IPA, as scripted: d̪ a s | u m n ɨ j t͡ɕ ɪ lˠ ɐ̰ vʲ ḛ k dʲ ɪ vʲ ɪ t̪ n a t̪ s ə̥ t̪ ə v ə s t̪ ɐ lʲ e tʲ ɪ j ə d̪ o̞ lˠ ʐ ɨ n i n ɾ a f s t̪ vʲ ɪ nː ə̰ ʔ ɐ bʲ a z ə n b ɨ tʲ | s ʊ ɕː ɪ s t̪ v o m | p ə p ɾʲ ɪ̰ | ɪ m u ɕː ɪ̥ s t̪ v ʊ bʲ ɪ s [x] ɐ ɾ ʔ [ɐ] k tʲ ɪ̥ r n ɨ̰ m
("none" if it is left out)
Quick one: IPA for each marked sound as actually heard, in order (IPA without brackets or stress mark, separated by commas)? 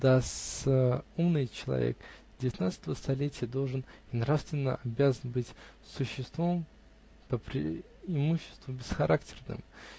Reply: x, a